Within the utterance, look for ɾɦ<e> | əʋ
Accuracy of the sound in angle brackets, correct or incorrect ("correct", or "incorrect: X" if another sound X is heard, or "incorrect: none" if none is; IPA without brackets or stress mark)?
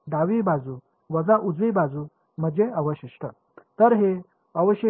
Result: correct